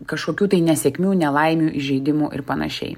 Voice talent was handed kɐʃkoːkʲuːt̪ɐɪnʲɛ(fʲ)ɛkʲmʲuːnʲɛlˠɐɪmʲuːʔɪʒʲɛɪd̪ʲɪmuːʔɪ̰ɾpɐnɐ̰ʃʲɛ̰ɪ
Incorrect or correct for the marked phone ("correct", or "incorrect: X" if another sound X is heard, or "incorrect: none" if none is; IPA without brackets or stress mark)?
incorrect: sʲ